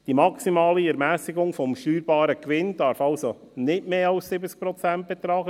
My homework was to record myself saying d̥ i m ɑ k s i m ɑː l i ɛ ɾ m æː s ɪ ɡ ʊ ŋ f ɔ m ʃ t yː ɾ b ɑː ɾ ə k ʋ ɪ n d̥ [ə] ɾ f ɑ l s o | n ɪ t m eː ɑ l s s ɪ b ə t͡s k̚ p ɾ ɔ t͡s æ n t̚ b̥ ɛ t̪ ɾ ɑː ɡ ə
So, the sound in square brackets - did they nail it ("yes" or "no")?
no